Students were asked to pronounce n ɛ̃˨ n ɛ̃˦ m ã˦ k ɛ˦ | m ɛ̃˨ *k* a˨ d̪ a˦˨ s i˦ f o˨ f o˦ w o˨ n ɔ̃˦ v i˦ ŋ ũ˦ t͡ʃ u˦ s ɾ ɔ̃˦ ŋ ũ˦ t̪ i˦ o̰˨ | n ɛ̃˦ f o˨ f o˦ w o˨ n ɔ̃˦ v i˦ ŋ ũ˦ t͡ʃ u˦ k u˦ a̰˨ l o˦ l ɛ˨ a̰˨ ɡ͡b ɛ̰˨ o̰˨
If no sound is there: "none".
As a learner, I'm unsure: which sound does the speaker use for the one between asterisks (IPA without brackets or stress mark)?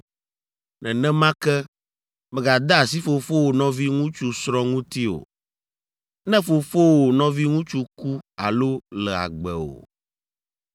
ɡ